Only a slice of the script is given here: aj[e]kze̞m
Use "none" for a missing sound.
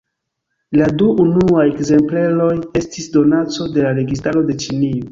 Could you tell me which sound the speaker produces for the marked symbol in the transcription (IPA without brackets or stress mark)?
e